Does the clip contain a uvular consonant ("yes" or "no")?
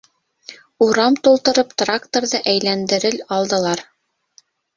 no